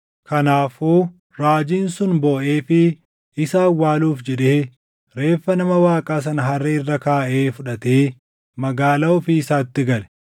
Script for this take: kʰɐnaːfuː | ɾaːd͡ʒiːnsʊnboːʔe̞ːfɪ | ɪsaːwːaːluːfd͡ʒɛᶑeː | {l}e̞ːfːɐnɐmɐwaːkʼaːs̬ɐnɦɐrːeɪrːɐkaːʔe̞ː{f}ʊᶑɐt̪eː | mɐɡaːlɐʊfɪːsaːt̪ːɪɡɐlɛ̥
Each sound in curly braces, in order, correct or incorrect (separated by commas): incorrect, correct